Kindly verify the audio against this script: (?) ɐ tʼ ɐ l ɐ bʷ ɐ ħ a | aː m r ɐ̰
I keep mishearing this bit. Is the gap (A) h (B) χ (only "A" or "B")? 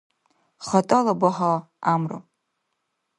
B